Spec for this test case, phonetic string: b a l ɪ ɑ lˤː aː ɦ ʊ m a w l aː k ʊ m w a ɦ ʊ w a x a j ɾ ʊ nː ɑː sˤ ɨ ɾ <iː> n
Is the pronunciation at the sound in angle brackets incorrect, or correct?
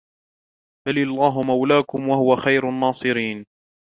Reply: correct